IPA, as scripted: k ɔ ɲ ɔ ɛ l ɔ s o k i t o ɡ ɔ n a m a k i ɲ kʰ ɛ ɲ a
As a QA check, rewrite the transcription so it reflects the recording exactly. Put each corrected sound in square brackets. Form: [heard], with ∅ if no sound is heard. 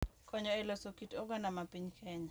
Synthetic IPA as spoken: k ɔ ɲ ɔ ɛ l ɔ s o k i t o ɡ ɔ n a m a [p] i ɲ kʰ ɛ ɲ a

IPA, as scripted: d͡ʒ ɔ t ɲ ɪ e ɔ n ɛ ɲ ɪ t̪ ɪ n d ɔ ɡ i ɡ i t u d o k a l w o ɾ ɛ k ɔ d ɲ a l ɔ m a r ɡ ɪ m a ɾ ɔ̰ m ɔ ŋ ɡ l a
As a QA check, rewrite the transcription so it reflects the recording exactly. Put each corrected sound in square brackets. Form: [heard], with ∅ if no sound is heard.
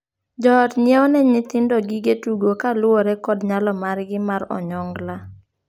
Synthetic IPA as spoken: d͡ʒ ɔ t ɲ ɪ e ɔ n ɛ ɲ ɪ t̪ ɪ n d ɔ ɡ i ɡ [e] t u [ɡ] o k a l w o ɾ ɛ k ɔ d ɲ a l ɔ m a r ɡ ɪ m a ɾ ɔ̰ [ɲ] ɔ ŋ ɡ l a

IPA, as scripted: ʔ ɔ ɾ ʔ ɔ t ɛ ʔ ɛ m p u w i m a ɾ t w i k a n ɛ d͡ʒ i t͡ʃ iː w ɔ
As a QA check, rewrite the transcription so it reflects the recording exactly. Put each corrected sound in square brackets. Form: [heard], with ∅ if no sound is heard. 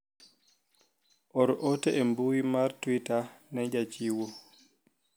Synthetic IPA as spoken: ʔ ɔ ɾ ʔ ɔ t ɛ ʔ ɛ m [b] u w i m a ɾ t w i [t] a n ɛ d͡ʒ [a] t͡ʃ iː w ɔ

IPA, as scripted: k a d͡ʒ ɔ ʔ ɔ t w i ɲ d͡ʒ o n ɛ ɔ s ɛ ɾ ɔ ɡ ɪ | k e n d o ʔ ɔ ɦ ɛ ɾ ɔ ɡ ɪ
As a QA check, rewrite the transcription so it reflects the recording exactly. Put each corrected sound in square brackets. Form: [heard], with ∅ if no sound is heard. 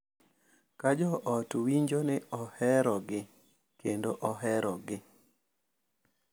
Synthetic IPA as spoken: k a d͡ʒ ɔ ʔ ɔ t w i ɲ d͡ʒ o n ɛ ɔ [h] ɛ ɾ ɔ ɡ ɪ | k e n d o ʔ ɔ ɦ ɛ ɾ ɔ ɡ ɪ

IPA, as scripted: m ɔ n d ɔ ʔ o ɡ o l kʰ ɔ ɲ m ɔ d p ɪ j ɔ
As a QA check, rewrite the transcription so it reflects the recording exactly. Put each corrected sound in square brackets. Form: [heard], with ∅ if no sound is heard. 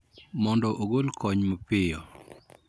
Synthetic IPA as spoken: m ɔ n d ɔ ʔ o ɡ o l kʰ ɔ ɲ m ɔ [∅] p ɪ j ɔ

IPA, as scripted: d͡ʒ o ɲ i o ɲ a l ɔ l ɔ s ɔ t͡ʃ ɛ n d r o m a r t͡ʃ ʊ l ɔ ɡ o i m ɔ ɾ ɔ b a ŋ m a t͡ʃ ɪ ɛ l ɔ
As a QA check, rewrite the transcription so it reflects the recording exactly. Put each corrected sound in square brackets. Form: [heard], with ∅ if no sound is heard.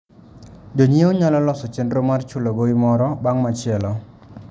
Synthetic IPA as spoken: d͡ʒ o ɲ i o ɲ a l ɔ l ɔ s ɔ t͡ʃ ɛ n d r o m a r t͡ʃ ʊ l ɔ ɡ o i m ɔ ɾ ɔ b a ŋ m a t͡ʃ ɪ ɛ l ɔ

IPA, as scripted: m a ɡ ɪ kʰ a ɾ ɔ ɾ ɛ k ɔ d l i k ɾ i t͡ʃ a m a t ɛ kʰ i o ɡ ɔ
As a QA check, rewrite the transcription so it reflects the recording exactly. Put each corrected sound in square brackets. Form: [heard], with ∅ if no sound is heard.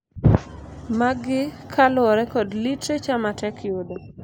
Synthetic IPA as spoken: m a ɡ ɪ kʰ a [l] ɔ ɾ ɛ k ɔ d l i [t] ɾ [e] t͡ʃ a m a t ɛ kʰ [j] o [d] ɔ

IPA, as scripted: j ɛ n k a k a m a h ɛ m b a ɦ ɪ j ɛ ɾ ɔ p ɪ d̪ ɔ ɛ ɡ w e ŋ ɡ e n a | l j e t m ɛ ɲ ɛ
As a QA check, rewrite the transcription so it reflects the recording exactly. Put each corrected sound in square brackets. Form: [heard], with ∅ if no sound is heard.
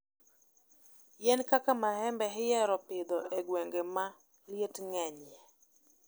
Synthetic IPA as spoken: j ɛ n k a k a m a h ɛ m b [ɛ] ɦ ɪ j ɛ ɾ ɔ p ɪ d̪ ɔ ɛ ɡ w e ŋ ɡ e [m] a | l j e t [ŋ] ɛ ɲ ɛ

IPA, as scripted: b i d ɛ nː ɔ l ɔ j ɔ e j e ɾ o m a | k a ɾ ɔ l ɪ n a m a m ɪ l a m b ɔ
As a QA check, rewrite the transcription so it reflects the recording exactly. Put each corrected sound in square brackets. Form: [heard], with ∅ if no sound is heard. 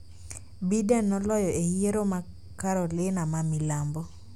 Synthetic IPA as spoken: b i d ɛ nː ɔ l ɔ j ɔ e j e ɾ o m a | k a ɾ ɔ l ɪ n a m a m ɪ l a m b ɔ

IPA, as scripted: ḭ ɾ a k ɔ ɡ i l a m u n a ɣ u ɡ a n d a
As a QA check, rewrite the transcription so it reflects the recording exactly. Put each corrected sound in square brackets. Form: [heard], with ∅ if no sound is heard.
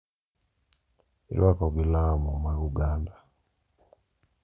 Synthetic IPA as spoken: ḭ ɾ a k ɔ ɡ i l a m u [m] a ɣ u ɡ a n d a

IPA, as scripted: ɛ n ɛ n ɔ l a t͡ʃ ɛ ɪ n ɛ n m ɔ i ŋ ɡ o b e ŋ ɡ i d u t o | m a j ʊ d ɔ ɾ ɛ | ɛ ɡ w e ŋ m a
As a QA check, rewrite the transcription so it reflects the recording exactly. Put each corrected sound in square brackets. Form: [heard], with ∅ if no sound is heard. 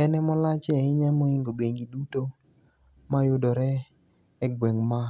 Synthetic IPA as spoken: ɛ n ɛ [m] ɔ l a t͡ʃ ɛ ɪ [ɲ] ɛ [∅] m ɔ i ŋ ɡ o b e ŋ ɡ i d u t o | m a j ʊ d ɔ ɾ ɛ | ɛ ɡ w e ŋ m a

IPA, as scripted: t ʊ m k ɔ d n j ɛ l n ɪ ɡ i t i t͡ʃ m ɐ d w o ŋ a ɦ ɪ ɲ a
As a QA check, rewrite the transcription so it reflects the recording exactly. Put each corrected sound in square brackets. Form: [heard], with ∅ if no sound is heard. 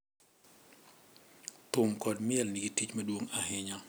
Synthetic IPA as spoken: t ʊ m k ɔ d [m] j ɛ l n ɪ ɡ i t i t͡ʃ m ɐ d w o ŋ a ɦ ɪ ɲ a

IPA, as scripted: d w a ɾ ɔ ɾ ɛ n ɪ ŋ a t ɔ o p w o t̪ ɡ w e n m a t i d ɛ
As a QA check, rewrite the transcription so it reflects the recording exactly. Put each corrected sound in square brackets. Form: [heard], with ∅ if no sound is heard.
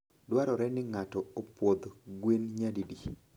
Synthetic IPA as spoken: d w a ɾ ɔ ɾ ɛ n ɪ ŋ a t ɔ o p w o [d̪] ɡ w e n [ɲ] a [d] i d [i]

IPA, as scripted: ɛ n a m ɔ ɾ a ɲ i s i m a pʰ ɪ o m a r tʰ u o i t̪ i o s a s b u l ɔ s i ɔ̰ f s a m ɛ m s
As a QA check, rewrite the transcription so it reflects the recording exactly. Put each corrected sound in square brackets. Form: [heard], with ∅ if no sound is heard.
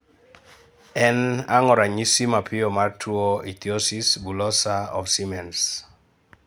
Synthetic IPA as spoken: ɛ n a [ŋ] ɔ ɾ a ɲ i s i m a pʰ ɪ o m a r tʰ u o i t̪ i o s [i] s b u l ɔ s [a] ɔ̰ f s [i] m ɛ [n] s

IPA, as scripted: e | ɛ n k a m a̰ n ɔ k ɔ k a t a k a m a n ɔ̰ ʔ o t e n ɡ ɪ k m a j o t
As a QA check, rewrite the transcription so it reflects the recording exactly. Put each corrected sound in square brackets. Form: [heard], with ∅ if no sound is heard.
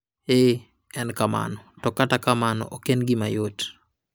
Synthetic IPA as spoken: e | ɛ n k a m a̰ n ɔ [t] ɔ k a t a k a m a n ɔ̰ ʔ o [k] e n ɡ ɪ [∅] m a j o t

